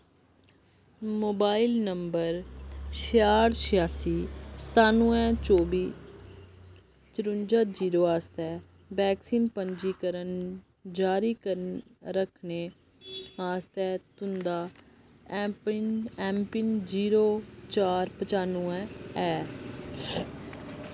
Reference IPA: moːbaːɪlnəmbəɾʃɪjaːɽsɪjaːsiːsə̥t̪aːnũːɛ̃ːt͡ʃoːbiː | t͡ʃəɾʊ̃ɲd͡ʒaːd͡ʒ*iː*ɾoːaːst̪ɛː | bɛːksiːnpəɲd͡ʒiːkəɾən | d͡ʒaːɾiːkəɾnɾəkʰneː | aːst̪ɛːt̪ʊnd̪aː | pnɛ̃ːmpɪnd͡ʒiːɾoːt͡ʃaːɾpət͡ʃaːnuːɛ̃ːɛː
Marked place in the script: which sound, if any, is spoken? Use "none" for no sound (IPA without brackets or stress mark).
iː